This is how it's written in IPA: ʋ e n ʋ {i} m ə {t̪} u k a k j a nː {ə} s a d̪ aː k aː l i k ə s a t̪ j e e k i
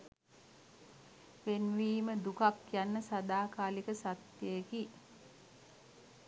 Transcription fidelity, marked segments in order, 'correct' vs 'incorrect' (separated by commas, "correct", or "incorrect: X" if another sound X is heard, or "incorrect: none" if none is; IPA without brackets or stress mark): incorrect: iː, incorrect: d̪, correct